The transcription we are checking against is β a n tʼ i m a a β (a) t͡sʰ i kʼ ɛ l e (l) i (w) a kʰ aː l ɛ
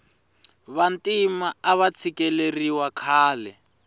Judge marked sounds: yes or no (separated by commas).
yes, no, yes